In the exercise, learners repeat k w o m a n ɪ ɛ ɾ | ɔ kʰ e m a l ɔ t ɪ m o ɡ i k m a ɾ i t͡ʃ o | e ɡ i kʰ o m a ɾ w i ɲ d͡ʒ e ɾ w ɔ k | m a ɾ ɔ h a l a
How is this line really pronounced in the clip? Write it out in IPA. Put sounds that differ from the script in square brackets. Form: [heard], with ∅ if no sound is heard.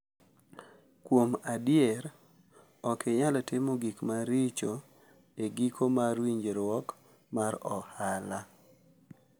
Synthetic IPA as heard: k w o m a [d] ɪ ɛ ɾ | ɔ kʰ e [ɲ] a l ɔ t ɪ m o ɡ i k m a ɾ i t͡ʃ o | e ɡ i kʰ o m a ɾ w i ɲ d͡ʒ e ɾ w ɔ k | m a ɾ ɔ h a l a